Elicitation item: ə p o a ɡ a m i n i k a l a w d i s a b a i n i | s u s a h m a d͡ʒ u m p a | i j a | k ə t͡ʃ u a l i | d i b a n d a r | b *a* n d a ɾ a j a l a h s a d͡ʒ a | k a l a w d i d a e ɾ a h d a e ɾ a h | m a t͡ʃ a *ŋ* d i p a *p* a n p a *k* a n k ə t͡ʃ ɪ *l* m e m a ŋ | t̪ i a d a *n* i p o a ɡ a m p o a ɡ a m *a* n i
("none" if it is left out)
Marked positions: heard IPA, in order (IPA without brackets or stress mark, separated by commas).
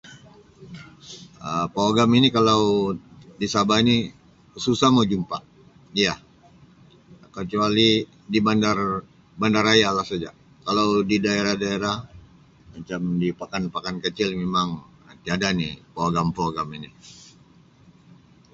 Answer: a, m, k, k, l, n, i